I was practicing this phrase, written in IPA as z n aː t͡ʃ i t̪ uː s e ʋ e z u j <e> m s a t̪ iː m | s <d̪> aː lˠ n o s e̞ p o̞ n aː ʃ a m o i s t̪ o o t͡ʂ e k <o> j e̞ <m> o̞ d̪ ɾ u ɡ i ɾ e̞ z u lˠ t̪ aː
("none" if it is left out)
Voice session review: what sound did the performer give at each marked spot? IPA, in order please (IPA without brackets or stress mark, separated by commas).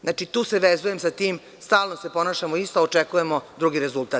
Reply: e, t̪, u, m